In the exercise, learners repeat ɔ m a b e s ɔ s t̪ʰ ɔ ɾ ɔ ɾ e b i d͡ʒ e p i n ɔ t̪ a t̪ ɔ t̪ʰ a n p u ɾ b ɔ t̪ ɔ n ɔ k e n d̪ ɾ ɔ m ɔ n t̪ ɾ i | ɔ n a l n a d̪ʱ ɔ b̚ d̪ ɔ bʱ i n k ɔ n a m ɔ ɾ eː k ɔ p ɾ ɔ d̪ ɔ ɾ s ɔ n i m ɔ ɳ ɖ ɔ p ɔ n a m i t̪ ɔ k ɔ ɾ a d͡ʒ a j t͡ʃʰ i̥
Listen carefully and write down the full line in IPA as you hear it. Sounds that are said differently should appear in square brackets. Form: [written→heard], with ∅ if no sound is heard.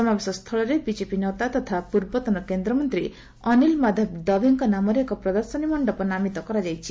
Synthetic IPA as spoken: ɔ m a b e s ɔ s t̪ʰ ɔ [ɾ→ɭ] ɔ ɾ e b i d͡ʒ e p i n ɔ t̪ a t̪ ɔ t̪ʰ a [n→∅] p u ɾ b ɔ t̪ ɔ n ɔ k e n d̪ ɾ ɔ m ɔ n t̪ ɾ i | ɔ n [a→i] l [n→m] a d̪ʱ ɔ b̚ d̪ ɔ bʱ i [n→ŋ] k ɔ n a m ɔ ɾ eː k ɔ p ɾ ɔ d̪ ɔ ɾ s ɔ n i m ɔ ɳ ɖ ɔ p ɔ n a m i t̪ ɔ k ɔ ɾ a d͡ʒ a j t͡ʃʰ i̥

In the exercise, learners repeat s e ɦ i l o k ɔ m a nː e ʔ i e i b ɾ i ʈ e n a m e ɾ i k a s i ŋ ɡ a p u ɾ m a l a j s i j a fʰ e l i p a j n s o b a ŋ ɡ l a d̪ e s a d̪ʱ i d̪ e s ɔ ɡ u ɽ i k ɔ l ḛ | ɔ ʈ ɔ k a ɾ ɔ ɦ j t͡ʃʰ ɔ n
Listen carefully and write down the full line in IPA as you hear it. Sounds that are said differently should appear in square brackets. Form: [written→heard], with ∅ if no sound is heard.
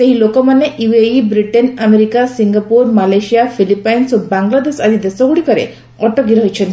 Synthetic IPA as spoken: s e ɦ i l o k ɔ m a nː e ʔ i e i b ɾ i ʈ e n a m e ɾ i k a s i ŋ ɡ a p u ɾ m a l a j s i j a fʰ [e→i] l i p a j n s o b a ŋ ɡ l a d̪ e s a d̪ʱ i d̪ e s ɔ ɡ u ɽ i k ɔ [l→ɾ] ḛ | ɔ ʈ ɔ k [a→i] ɾ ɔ ɦ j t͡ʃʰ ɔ n

